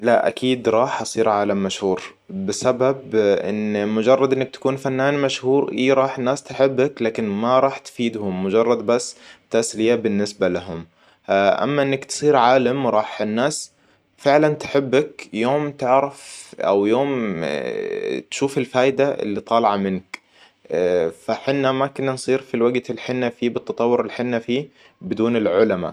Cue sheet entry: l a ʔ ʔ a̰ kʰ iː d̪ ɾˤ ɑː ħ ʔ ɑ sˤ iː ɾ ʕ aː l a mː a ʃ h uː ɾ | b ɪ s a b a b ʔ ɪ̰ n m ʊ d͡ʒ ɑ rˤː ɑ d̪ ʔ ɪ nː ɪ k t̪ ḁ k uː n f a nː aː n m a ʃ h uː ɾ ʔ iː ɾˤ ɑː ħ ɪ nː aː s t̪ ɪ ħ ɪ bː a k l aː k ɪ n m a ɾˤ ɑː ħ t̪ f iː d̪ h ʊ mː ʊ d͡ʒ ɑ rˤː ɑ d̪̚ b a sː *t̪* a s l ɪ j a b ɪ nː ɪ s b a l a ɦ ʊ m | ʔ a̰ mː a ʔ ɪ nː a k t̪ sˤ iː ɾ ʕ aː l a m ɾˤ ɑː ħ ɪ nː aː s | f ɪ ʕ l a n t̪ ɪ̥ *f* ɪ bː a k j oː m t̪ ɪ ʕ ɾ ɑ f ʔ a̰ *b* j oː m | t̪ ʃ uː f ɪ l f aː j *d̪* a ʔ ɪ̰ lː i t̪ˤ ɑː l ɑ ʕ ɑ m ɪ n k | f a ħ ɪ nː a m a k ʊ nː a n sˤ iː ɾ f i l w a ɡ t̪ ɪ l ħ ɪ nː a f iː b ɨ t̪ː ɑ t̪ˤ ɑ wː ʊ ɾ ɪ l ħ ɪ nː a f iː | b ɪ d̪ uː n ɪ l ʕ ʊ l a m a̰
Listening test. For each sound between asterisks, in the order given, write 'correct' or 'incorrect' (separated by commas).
correct, incorrect, incorrect, correct